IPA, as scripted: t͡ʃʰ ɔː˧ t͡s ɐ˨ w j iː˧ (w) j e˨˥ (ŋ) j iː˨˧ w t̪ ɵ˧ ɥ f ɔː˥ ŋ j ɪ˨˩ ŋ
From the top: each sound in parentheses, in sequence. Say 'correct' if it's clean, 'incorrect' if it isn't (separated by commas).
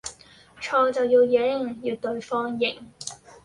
correct, correct